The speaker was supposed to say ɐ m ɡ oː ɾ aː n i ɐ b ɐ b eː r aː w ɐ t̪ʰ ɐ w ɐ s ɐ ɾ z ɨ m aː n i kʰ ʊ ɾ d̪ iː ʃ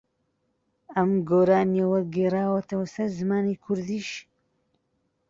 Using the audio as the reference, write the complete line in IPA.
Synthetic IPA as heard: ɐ m ɡ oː ɾ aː n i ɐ w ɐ ɡ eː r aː w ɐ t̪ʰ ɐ w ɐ s ɐ ɾ z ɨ m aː n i kʰ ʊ ɾ d̪ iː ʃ